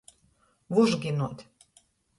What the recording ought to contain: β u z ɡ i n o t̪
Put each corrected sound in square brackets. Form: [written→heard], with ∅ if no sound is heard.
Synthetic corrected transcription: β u [z→ʒ] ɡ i n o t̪